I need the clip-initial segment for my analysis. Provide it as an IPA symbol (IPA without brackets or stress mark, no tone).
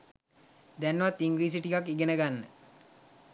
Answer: d̪